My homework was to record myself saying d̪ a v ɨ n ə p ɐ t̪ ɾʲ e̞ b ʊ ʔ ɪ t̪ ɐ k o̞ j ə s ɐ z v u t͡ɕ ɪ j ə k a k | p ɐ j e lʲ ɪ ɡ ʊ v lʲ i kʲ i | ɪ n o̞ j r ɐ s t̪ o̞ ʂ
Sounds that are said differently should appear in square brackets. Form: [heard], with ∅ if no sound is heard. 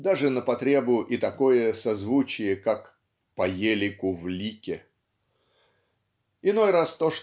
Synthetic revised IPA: d̪ a [ʐ] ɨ n ə p ɐ t̪ ɾʲ e̞ b ʊ ʔ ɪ t̪ ɐ k o̞ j ə s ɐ z v u t͡ɕ ɪ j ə k a k | p ɐ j e lʲ ɪ [k] ʊ v lʲ i kʲ [ɪ] | ɪ n o̞ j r [a] s t̪ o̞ ʂ

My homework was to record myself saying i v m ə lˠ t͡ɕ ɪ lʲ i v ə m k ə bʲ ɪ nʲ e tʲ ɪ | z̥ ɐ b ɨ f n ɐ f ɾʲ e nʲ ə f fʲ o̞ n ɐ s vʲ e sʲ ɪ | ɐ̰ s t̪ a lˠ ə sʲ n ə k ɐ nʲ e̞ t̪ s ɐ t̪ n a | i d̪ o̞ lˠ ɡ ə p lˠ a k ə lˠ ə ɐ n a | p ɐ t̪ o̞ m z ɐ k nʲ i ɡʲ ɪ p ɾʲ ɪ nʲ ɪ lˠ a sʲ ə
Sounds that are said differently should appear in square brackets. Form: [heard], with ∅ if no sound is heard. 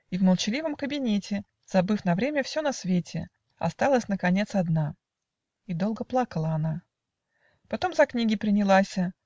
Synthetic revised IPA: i v m ə lˠ t͡ɕ ɪ lʲ i v ə m k ə bʲ ɪ nʲ e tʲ ɪ | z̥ ɐ b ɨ f n ɐ [v] ɾʲ e [mʲ] ə f [sʲ] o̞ n ɐ s vʲ e [tʲ] ɪ | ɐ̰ s t̪ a lˠ ə sʲ n ə k ɐ nʲ e̞ t̪ s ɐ [d̪] n a | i d̪ o̞ lˠ ɡ ə p lˠ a k ə lˠ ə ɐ n a | p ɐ t̪ o̞ m z ɐ k nʲ i ɡʲ ɪ p ɾʲ ɪ nʲ ɪ lˠ a sʲ ə

